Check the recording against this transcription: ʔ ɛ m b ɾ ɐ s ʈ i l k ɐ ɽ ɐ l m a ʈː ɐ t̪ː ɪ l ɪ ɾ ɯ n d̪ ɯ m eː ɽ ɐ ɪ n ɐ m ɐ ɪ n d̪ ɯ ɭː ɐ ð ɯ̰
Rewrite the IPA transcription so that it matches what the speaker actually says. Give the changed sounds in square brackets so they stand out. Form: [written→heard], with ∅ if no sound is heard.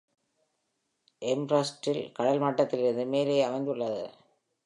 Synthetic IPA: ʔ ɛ m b ɾ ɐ s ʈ [i→ɪ] l k ɐ ɽ ɐ l m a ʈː ɐ t̪ː ɪ l ɪ ɾ ɯ n d̪ ɯ m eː [ɽ→l] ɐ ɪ [n→∅] ɐ m ɐ ɪ n d̪ ɯ ɭː ɐ ð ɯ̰